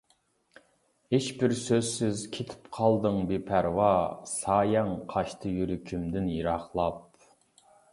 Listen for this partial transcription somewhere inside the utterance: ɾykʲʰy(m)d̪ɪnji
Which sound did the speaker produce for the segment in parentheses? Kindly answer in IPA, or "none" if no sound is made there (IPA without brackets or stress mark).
m